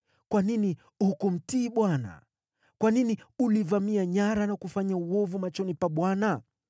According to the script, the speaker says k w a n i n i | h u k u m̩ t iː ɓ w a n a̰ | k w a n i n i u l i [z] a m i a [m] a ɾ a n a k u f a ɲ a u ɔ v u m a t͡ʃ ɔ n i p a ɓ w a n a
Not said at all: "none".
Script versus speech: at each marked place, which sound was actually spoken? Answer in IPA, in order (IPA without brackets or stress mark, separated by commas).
v, ɲ